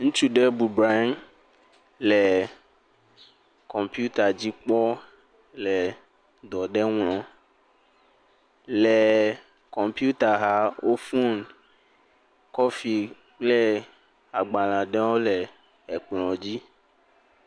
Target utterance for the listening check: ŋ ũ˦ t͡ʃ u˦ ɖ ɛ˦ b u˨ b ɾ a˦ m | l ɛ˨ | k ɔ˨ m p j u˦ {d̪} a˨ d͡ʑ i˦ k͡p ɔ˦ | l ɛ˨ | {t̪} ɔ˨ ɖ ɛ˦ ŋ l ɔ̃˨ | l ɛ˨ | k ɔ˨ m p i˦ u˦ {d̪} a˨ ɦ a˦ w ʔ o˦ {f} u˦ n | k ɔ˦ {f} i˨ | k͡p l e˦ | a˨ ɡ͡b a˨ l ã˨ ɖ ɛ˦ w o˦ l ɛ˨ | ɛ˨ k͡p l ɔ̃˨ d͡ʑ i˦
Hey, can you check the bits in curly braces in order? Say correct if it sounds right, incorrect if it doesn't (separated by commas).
incorrect, incorrect, incorrect, correct, correct